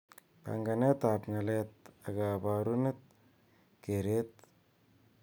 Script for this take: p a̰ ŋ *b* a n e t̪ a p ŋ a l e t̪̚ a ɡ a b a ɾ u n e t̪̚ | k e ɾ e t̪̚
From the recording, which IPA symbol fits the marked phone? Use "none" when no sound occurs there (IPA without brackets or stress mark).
ɡ